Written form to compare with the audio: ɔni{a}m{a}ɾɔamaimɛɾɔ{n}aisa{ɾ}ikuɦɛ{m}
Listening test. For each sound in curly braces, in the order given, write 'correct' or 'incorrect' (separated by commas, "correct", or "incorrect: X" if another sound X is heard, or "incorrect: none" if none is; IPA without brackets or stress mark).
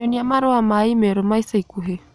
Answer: correct, correct, incorrect: m, incorrect: none, incorrect: none